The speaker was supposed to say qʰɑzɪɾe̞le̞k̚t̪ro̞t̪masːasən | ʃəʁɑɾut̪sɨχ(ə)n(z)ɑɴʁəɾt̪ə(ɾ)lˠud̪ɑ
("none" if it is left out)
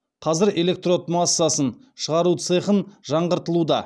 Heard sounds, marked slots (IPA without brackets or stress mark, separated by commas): ə, ʒ, none